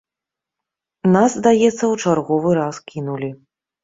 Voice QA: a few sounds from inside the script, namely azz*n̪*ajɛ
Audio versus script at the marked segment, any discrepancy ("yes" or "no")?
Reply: yes